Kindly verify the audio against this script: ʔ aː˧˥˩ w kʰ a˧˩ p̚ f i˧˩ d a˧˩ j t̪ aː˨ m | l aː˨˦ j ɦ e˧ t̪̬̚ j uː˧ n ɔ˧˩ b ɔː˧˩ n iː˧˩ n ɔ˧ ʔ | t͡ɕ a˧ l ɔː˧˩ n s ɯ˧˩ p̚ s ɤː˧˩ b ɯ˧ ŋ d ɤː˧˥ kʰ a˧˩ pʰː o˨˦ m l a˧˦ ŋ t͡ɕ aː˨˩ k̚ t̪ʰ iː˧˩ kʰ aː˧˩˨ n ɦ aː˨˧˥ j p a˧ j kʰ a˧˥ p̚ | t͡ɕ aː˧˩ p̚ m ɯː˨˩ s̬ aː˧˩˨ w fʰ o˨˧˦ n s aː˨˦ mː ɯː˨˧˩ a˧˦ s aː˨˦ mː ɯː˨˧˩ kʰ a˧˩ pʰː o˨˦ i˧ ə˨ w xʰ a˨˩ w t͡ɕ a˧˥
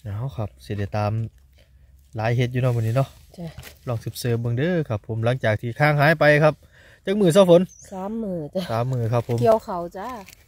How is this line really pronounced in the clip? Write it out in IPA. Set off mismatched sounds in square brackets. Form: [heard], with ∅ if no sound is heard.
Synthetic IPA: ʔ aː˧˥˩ w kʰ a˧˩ p̚ [s] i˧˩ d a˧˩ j t̪ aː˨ m | l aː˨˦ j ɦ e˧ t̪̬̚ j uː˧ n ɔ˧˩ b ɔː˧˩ n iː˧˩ n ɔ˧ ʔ | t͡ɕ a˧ l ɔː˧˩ [ŋ] s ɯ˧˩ p̚ s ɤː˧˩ b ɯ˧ ŋ d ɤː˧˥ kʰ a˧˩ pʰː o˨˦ m l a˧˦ ŋ t͡ɕ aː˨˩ k̚ t̪ʰ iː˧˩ kʰ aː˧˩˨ [ŋ] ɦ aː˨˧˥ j p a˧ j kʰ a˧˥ p̚ | t͡ɕ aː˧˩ [k̚] m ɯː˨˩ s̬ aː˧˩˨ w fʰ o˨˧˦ n s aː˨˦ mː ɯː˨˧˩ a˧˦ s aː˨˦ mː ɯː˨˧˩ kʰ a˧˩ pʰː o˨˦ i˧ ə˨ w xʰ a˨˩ w t͡ɕ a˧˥